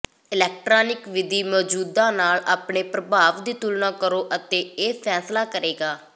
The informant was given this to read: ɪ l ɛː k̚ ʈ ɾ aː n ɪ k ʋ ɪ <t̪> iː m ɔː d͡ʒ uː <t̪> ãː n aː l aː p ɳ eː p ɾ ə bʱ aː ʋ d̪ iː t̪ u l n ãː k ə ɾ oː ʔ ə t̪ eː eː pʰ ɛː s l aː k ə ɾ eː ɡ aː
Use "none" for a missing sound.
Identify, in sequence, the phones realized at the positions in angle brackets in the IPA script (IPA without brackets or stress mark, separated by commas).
d̪, d̪